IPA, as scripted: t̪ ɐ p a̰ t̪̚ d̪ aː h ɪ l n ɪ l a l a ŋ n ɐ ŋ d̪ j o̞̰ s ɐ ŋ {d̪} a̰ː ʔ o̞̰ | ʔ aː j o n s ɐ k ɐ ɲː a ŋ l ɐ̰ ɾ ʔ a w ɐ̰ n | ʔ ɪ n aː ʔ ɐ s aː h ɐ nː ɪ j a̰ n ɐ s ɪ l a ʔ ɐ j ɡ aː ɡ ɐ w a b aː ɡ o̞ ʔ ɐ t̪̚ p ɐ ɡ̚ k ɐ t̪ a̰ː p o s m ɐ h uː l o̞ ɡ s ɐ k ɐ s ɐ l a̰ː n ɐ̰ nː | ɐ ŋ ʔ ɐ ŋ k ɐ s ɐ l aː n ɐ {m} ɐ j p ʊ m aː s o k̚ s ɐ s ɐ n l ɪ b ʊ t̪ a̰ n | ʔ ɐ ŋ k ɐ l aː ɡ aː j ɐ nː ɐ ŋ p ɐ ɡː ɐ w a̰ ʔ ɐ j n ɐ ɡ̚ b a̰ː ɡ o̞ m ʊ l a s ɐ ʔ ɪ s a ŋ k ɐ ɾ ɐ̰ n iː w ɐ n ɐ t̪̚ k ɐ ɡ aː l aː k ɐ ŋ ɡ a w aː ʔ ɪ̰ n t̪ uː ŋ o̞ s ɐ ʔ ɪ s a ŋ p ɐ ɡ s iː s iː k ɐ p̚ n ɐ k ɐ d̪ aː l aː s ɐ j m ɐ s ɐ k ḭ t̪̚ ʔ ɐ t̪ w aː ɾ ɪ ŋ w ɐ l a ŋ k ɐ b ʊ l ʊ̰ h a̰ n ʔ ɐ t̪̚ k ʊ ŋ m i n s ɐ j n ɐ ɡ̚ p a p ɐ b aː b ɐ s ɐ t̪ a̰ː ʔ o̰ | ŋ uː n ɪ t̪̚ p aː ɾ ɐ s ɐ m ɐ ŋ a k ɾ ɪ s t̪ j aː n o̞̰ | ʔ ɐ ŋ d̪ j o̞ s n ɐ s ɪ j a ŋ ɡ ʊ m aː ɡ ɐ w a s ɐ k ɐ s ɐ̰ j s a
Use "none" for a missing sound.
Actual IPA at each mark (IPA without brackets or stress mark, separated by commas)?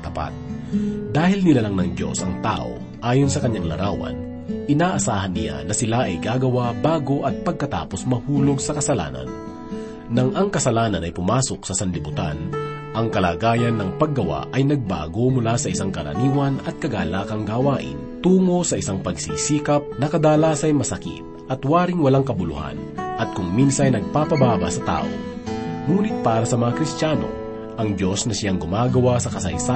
t̪, n